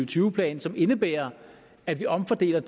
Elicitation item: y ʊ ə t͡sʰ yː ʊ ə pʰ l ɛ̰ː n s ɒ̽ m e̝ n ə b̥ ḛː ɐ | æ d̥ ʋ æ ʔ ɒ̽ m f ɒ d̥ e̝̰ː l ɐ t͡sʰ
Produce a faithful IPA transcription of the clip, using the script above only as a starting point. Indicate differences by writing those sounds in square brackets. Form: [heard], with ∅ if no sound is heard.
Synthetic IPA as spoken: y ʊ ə t͡sʰ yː ʊ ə pʰ l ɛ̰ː n s ɒ̽ m e̝ n ə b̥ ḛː ɐ | æ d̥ ʋ [i] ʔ ɒ̽ m f ɒ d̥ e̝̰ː l ɐ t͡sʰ